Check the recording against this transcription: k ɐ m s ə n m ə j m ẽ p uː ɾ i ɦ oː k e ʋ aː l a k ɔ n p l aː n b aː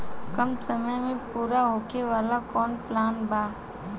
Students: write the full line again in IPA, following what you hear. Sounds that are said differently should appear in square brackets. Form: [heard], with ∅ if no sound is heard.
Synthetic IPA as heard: k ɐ m s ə [∅] m ə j m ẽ p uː ɾ [a] ɦ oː k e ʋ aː l a k [ɔː] n p l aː n b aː